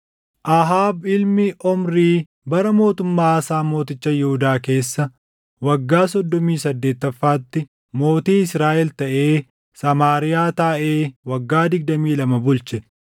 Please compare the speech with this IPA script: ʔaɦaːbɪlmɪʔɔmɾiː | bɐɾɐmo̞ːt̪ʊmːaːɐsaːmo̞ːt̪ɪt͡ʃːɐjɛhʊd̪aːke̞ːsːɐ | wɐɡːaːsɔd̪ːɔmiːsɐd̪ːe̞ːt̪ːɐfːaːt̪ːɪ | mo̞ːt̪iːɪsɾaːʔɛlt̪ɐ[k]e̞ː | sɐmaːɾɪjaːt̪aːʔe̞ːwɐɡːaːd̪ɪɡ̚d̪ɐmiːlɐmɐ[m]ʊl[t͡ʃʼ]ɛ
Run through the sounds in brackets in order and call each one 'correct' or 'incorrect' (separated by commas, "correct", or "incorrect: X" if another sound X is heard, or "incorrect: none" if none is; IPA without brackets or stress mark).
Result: incorrect: ʔ, incorrect: b, incorrect: t͡ʃ